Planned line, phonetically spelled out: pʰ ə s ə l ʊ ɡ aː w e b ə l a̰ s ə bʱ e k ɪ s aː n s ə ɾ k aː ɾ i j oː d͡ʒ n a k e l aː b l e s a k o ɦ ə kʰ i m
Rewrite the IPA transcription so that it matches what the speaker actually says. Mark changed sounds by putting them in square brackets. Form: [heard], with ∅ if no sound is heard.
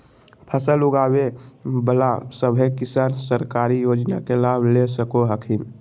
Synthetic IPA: pʰ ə s ə l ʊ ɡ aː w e b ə l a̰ s ə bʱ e k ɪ s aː n s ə ɾ k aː ɾ i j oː d͡ʒ n a k e l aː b l e s [ə] k o ɦ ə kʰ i m

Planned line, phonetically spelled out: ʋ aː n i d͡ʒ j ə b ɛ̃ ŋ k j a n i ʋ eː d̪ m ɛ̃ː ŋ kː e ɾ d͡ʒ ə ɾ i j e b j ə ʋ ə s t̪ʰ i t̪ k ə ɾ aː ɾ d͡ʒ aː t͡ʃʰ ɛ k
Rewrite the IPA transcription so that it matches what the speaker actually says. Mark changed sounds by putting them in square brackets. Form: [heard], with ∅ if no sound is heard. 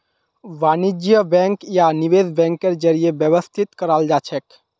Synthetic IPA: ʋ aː n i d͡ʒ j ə b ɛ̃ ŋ k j a n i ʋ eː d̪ [b] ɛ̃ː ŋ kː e ɾ d͡ʒ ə ɾ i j e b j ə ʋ ə s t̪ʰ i t̪ k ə ɾ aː [l] d͡ʒ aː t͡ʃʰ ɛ k

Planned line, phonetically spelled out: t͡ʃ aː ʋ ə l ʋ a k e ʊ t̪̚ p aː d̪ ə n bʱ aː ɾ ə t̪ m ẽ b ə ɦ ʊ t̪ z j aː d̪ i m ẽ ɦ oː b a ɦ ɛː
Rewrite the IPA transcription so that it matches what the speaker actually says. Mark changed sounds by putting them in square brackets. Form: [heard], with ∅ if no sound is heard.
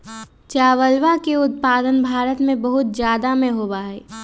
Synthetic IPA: t͡ʃ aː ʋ ə l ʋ a k e ʊ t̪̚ p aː d̪ ə n bʱ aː ɾ ə t̪ m ẽ b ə ɦ ʊ t̪ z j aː d̪ [a] m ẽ ɦ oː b a ɦ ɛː

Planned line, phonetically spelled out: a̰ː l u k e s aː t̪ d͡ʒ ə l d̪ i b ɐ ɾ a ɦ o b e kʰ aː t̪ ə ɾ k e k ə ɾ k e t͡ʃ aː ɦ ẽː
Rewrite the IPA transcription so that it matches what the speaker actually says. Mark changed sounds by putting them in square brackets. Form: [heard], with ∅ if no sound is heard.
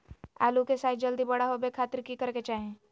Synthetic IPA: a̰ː l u k e s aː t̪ d͡ʒ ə l d̪ i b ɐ [ɽ] a ɦ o b e kʰ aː t̪ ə ɾ k [i] k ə ɾ k e t͡ʃ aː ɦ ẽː

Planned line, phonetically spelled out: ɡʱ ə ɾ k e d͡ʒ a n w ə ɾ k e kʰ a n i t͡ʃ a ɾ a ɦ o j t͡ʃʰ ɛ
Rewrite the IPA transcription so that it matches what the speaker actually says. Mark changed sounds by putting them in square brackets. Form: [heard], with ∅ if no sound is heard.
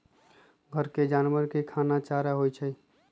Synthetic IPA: ɡʱ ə ɾ k e d͡ʒ a n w ə ɾ k e kʰ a n [a] t͡ʃ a ɾ a ɦ o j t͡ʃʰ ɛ

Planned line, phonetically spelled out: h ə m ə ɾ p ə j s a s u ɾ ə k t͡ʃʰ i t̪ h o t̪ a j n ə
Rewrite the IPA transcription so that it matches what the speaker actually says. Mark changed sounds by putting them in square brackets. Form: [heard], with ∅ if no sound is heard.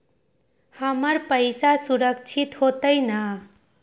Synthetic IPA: h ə m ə ɾ p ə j s a s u ɾ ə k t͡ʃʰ i t̪ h o t̪ [ə] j n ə

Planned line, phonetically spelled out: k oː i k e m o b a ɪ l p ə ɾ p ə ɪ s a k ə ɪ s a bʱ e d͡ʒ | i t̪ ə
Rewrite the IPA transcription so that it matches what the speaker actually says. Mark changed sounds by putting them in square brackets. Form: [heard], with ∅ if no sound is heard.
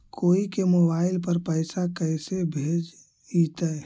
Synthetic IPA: k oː i k e m o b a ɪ l p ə ɾ p ə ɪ s a k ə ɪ s [e] bʱ e d͡ʒ | i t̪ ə

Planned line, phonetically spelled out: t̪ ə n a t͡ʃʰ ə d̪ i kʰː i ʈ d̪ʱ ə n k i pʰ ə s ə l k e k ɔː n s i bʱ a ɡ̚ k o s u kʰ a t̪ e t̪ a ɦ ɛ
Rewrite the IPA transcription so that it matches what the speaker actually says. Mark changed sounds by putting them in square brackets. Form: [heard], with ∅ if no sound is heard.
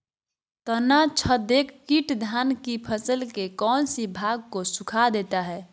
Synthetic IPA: t̪ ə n a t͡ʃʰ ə d̪ [e] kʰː i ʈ d̪ʱ [a] n k i pʰ ə s ə l k e k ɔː n s i bʱ a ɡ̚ k o s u kʰ a [d̪] e t̪ a ɦ ɛ

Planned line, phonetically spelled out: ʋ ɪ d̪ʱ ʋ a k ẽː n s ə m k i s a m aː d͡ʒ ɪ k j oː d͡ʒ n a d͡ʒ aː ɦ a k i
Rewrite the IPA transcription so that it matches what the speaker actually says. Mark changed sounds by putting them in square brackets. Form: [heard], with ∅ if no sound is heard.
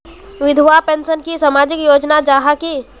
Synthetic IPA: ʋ ɪ d̪ʱ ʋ a [p] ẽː n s ə [n] k i s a m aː d͡ʒ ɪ k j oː d͡ʒ n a d͡ʒ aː ɦ a k i

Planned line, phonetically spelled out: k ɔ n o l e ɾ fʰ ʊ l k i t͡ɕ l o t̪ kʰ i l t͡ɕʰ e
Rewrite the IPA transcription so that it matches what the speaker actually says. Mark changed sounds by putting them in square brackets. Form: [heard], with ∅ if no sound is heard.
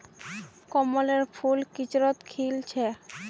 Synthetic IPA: k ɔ [m] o l e ɾ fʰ [u] l k i t͡ɕ [ɾ] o t̪ kʰ i l t͡ɕʰ e

